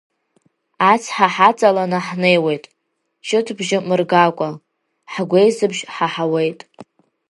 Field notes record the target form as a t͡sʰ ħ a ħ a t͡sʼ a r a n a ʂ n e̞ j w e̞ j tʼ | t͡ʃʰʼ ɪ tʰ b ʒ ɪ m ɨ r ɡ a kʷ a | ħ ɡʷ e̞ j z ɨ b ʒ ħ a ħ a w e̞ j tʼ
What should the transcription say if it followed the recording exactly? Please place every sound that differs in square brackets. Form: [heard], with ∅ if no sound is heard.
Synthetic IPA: a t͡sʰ ħ a ħ a t͡sʼ a [l] a n a [ħ] n e̞ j w e̞ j tʼ | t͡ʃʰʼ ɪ tʰ b ʒ ɪ m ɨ r ɡ a [kʷʼ] a | ħ ɡʷ e̞ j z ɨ b ʒ ħ a ħ a w e̞ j tʼ